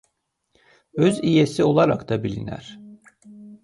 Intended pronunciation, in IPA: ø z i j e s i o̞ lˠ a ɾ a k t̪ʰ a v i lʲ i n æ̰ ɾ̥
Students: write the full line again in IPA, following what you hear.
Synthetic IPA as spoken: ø z i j e s i o̞ lˠ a ɾ a k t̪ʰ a b i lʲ i n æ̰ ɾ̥